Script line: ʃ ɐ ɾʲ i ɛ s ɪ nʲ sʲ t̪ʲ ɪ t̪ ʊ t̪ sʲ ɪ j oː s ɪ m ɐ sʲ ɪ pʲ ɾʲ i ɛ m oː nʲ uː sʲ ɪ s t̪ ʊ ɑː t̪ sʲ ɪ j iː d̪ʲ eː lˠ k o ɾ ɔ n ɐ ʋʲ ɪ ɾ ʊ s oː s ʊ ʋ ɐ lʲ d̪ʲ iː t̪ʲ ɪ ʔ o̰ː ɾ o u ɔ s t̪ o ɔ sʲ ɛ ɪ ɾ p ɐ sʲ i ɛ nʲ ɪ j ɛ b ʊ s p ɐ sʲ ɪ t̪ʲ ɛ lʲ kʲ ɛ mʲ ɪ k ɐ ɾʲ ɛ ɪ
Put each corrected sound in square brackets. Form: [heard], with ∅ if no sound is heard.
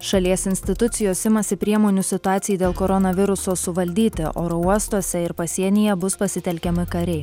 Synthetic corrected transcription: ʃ ɐ [lʲ] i ɛ s ɪ nʲ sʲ t̪ʲ ɪ t̪ ʊ t̪ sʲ ɪ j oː s ɪ m ɐ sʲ ɪ pʲ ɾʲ i ɛ m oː nʲ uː sʲ ɪ [∅] t̪ ʊ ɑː t̪ sʲ ɪ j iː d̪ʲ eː lˠ k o ɾ ɔ n ɐ ʋʲ ɪ ɾ ʊ s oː s ʊ ʋ ɐ lʲ d̪ʲ iː t̪ʲ ɪ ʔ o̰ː ɾ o u ɔ s t̪ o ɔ sʲ ɛ ɪ ɾ p ɐ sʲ i ɛ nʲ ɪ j ɛ b ʊ s p ɐ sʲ ɪ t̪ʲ ɛ lʲ kʲ ɛ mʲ ɪ k ɐ ɾʲ ɛ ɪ